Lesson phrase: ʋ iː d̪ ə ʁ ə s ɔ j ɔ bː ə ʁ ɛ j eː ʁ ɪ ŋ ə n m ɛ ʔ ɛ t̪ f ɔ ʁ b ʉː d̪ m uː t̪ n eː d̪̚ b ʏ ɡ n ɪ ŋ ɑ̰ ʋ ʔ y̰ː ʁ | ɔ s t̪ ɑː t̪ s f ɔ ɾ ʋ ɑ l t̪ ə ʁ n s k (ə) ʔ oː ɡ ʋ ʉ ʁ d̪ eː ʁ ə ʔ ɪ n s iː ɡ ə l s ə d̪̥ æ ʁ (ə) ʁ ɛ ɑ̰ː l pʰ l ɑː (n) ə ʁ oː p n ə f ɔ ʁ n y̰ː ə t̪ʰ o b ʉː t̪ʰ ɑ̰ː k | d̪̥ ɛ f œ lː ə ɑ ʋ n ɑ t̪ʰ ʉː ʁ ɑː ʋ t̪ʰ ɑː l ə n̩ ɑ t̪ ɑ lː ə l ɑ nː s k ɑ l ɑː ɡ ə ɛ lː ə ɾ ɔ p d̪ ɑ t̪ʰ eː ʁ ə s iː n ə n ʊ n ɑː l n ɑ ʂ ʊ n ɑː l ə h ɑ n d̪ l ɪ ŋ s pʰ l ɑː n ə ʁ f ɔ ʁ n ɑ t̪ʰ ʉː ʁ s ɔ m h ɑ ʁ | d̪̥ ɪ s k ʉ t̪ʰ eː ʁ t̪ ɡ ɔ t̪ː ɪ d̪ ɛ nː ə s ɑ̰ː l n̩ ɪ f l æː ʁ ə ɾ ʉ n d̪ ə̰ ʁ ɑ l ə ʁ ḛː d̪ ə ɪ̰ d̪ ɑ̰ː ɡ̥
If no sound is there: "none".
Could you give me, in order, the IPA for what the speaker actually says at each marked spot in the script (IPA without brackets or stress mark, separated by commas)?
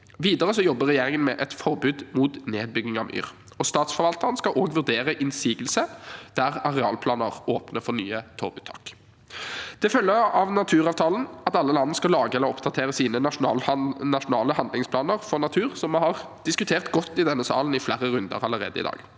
ɑ, ɑ, n